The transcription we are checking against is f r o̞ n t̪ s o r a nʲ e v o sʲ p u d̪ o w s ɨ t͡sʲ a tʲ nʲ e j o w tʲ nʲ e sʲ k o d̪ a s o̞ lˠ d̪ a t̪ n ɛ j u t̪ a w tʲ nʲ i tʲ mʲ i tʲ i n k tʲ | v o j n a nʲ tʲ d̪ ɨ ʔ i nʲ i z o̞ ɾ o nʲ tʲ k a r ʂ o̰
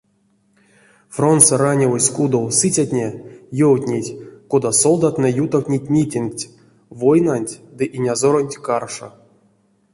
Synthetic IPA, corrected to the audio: f r o̞ n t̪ s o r a nʲ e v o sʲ k u d̪ o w s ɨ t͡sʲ a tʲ nʲ e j o w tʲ nʲ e tʲ k o d̪ a s o̞ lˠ d̪ a t̪ n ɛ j u t̪ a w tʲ nʲ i tʲ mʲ i tʲ i n k tʲ | v o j n a nʲ tʲ d̪ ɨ ʔ i nʲ a z o̞ ɾ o nʲ tʲ k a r ʂ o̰